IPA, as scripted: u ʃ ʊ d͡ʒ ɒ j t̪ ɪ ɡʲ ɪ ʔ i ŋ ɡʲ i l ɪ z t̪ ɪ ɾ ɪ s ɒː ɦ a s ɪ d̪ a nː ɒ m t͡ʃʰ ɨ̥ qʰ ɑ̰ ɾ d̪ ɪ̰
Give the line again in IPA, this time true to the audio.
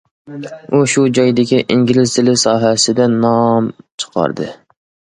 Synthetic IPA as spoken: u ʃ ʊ d͡ʒ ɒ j d̪ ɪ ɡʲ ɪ ʔ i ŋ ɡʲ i l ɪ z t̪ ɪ l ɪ s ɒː ɦ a s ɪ d̪ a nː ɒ m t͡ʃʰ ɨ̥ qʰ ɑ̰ ɾ d̪ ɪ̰